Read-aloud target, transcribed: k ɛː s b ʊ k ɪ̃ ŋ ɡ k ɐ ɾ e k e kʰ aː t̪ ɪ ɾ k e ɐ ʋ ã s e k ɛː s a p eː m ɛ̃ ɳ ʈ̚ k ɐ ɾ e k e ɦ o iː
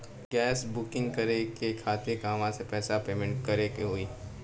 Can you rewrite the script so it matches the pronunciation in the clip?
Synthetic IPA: ɡ ɛː s b ʊ k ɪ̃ ŋ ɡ k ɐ ɾ e k e kʰ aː t̪ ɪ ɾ k a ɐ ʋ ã s e p ɛː s a p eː m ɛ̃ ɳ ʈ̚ k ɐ ɾ e k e ɦ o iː